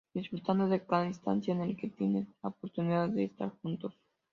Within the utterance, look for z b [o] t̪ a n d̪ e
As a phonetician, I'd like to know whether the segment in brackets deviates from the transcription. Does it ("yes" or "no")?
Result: yes